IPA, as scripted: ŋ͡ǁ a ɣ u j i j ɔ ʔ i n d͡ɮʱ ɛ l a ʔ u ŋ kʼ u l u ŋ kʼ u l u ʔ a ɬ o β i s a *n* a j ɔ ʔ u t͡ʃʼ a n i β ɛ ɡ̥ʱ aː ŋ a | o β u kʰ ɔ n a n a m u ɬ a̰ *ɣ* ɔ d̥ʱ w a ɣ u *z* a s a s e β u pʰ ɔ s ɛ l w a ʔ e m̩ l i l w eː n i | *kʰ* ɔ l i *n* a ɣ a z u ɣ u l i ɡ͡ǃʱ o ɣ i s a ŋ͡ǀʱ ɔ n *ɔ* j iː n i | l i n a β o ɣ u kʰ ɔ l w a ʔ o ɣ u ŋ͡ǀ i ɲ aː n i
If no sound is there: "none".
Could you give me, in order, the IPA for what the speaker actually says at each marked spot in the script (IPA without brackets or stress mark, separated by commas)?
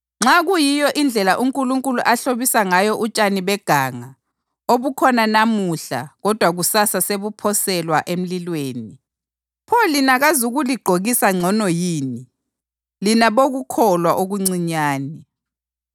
ŋ, ɣ, s, pʰ, n, ɔ